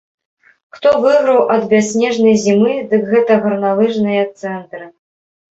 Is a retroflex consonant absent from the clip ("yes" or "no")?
no